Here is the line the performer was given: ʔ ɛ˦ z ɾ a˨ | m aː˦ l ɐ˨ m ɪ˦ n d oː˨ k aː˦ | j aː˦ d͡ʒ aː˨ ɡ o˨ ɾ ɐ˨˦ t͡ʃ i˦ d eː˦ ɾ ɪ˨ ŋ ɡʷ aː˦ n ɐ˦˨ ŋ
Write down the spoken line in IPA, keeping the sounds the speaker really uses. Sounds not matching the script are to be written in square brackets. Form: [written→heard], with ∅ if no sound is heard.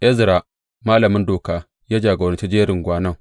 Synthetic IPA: ʔ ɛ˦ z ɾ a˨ | m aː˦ l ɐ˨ m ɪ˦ n d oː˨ k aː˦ | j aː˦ d͡ʒ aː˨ ɡ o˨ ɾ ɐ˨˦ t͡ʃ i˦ [d→d͡ʒ] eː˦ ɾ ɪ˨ ŋ ɡʷ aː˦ n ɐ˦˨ ŋ